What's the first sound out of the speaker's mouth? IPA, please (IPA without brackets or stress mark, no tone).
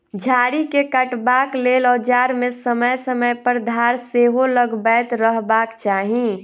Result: d͡ʒʱ